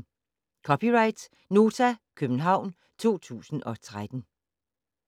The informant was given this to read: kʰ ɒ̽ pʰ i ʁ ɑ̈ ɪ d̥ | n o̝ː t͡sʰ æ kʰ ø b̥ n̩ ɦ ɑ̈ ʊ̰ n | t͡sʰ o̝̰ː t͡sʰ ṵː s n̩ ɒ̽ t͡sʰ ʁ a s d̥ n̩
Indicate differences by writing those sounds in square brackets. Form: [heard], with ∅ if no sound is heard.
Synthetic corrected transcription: kʰ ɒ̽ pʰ i ʁ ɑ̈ ɪ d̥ | n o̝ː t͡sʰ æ kʰ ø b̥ n̩ ɦ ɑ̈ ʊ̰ n | t͡sʰ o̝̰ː t͡sʰ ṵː s n̩ ɒ̽ t͡sʰ ʁ a [∅] d̥ n̩